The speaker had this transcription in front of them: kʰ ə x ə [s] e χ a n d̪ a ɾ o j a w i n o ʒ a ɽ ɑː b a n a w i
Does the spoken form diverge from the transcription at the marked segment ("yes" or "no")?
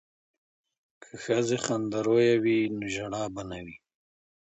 yes